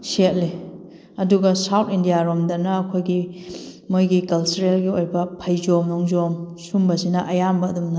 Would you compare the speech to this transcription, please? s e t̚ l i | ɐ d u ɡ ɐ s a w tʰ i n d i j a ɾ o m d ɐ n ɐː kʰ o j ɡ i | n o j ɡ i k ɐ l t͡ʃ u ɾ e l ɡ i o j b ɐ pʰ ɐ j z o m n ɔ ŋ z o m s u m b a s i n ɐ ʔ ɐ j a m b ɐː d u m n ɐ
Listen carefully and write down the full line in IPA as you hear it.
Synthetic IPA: s e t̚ l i | ɐ d u ɡ ɐ s a w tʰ i n d i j a ɾ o m d ɐ n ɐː kʰ o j ɡ i | m o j ɡ i k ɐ l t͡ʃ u ɾ e l ɡ i o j b ɐ pʰ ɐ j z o m n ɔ ŋ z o m s u m b ɐ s i n ɐ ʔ ɐ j a m b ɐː d u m n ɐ